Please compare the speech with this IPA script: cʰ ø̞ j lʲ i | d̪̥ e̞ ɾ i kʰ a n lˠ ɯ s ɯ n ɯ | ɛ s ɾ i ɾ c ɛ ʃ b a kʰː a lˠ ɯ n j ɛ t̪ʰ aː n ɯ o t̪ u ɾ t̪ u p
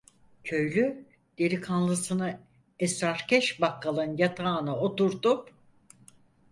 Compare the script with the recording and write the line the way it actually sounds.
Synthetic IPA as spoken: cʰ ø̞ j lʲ y | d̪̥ e̞ ɾ i kʰ a n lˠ ɯ s ɯ n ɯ | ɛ s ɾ a ɾ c ɛ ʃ b a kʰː a lˠ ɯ n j a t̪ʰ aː n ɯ o t̪ u ɾ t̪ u p